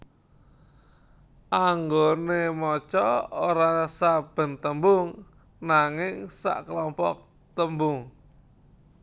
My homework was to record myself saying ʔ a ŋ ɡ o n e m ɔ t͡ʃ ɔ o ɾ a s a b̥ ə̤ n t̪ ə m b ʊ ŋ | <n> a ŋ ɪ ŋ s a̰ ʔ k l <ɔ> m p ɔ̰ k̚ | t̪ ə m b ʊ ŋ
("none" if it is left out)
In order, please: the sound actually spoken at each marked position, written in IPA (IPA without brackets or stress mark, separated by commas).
n, ɔ